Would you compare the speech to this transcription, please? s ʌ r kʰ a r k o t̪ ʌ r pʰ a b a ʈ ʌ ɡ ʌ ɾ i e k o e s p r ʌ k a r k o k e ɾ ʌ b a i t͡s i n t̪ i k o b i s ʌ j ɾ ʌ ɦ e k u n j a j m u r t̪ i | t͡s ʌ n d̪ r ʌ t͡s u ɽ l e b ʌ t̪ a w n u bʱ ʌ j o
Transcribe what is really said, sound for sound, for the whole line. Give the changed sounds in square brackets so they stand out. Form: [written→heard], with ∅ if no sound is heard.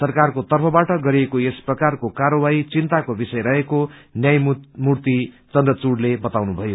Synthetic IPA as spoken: s ʌ r [kʰ→k] a r k o t̪ ʌ r pʰ [a→ʌ] b a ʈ ʌ ɡ ʌ ɾ i e k o e s p r ʌ k a r k o k [e→a] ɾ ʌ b a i t͡s i n t̪ [i→a] k o b i s ʌ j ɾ ʌ ɦ e k [u→o] n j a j m u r t̪ i | t͡s ʌ n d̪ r ʌ t͡s u ɽ l e b ʌ t̪ a w n u bʱ ʌ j o